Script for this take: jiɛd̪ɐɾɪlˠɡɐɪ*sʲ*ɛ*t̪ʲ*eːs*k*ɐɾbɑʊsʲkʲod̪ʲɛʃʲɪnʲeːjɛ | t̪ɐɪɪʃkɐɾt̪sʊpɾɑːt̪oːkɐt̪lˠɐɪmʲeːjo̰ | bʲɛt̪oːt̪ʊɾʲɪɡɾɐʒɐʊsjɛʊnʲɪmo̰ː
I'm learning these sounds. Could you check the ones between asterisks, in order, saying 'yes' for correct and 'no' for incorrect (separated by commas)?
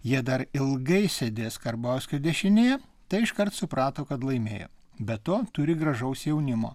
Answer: yes, no, yes